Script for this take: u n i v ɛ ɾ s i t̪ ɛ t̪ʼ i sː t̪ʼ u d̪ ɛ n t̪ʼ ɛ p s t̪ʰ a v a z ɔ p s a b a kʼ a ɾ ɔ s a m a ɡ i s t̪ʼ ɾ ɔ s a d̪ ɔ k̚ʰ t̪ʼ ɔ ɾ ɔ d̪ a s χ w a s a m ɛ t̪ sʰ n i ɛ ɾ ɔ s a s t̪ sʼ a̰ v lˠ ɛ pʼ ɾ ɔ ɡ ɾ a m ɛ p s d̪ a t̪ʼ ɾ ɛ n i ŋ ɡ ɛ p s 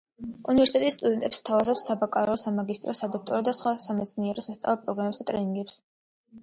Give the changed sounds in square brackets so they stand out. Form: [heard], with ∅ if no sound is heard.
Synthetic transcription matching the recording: u n i v ɛ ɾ s i t̪ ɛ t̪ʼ i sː t̪ʼ u d̪ ɛ n t̪ʼ ɛ p s t̪ʰ a v a z ɔ p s a b a kʼ a ɾ ɔ s a m a ɡ i s t̪ʼ ɾ ɔ s a d̪ ɔ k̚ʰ t̪ʼ ɔ ɾ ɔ d̪ a s χ w a s a m ɛ t̪ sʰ n i ɛ ɾ ɔ s a s t̪ sʼ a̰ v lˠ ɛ pʼ ɾ ɔ ɡ ɾ a m ɛ p s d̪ a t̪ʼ ɾ ɛ n i ŋ ɡ ɛ p s

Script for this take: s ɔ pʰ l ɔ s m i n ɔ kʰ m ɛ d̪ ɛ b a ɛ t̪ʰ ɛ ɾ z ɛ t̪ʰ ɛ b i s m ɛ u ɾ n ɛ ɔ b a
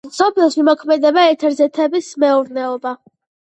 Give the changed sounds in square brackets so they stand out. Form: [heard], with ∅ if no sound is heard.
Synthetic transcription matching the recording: s ɔ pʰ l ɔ s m i [m] ɔ kʰ m ɛ d̪ ɛ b a ɛ t̪ʰ ɛ ɾ z ɛ t̪ʰ ɛ b i s m ɛ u ɾ n ɛ ɔ b a

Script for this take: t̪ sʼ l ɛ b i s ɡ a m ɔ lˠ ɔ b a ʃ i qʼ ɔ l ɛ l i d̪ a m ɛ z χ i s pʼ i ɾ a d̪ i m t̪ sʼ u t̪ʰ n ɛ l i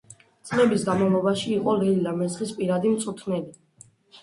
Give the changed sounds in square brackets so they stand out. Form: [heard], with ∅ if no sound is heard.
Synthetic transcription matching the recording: t̪ sʼ l ɛ b i s ɡ a m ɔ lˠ ɔ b a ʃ [iː] qʼ ɔ l ɛ l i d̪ a m ɛ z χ i s pʼ i ɾ a d̪ i m t̪ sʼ u t̪ʰ n ɛ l i

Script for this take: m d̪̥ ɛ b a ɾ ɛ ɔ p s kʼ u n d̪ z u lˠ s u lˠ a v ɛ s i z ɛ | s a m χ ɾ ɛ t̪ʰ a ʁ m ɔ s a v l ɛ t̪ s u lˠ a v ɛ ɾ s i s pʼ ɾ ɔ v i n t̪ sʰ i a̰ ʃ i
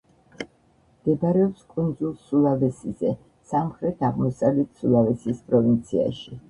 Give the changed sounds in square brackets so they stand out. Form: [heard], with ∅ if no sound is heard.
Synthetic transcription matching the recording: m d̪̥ ɛ b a ɾ ɛ ɔ p s kʼ u n d̪ z u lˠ s u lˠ a v ɛ s i z ɛ | s a m χ ɾ ɛ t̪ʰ a ʁ m ɔ s a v l ɛ t̪ s u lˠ a v ɛ [∅] s i s pʼ ɾ ɔ v i n t̪ sʰ i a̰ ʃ i

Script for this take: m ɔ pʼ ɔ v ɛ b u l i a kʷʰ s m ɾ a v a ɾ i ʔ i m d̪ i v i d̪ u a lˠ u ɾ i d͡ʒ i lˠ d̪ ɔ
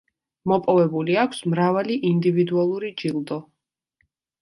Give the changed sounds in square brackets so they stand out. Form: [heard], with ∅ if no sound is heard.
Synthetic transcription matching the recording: m ɔ pʼ ɔ v ɛ b u l i a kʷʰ s m ɾ a v a [l] i ʔ i [n] d̪ i v i d̪ u a lˠ u ɾ i d͡ʒ i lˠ d̪ ɔ

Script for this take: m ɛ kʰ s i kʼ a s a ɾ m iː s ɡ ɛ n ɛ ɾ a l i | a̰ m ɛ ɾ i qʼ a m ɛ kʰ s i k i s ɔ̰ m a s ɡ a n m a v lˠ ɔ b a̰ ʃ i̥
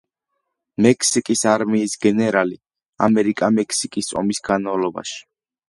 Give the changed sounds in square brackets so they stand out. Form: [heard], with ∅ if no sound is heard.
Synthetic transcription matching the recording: m ɛ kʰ s i kʼ [i] s a ɾ m iː s ɡ ɛ n ɛ ɾ a l i | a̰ m ɛ ɾ i [kʼ] a m ɛ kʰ s i [kʼ] i s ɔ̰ m [i] s ɡ a n m a v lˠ ɔ b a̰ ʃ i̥

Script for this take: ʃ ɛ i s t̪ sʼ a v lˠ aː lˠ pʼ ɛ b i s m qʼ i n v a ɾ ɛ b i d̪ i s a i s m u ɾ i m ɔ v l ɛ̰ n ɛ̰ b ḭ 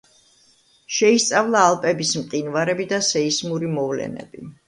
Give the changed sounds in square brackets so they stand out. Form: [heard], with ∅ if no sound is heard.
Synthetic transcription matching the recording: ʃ ɛ i s t̪ sʼ a v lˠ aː lˠ pʼ ɛ b i s m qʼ i n v a ɾ ɛ b i d̪ [a] s [ɛ] i s m u ɾ i m ɔ v l ɛ̰ n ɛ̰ b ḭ

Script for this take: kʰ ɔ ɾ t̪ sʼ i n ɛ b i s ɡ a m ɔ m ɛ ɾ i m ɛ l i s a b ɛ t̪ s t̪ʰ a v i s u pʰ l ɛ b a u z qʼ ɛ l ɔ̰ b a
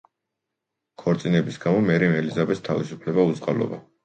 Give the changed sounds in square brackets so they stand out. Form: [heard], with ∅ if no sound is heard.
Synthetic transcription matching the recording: kʰ ɔ ɾ t̪ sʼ i n ɛ b i s ɡ a m ɔ m ɛ ɾ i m ɛ l i [z] a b ɛ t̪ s t̪ʰ a v i s u pʰ l ɛ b a u z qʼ [a] l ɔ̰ b a

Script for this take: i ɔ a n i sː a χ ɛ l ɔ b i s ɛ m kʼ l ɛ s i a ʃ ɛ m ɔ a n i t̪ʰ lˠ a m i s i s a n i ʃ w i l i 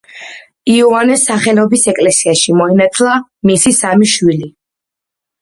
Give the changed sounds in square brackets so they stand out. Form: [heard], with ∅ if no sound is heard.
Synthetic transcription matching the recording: i ɔ a n [ɛ] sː a χ ɛ l ɔ b i s ɛ [∅] kʼ l ɛ s i a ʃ [i] m ɔ [i] n [a] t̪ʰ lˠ a m i s i s a [m] i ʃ w i l i

